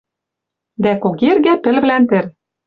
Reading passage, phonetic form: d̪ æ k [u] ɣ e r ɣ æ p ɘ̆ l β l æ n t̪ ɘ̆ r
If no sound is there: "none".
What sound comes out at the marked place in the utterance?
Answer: o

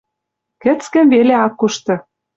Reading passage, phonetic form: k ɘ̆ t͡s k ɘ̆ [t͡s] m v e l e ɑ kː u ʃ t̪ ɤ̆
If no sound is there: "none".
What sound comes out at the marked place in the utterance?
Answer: none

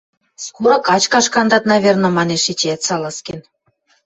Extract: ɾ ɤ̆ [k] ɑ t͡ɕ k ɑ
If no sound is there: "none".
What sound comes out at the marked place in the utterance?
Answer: k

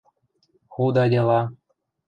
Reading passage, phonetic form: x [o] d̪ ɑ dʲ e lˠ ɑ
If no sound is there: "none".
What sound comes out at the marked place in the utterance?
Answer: u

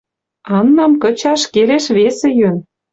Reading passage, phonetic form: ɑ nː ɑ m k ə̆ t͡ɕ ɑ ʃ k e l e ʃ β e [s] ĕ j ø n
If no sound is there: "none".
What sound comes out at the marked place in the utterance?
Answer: s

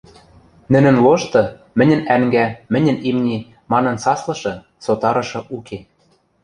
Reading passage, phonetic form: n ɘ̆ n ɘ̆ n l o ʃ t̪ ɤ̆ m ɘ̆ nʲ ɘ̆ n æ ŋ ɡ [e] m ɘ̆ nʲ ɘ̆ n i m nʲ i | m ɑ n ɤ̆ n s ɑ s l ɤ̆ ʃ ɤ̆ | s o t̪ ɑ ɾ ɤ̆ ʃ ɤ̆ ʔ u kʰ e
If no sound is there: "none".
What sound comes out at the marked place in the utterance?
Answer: æ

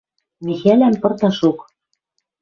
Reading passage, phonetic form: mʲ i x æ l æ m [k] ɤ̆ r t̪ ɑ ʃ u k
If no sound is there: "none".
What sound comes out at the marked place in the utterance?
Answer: p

